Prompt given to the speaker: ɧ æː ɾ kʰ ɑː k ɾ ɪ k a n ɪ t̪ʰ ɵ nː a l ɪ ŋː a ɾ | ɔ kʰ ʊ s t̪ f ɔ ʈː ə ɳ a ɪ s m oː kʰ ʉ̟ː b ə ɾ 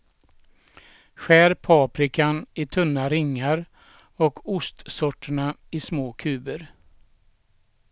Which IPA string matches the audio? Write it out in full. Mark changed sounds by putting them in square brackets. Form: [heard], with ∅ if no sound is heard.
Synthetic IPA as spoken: ɧ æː ɾ [pʰ] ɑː [p] ɾ ɪ k a n ɪ t̪ʰ ɵ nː a [ɾ] ɪ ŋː a ɾ | ɔ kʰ ʊ s t̪ [s] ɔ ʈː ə ɳ a ɪ s m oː kʰ ʉ̟ː b ə ɾ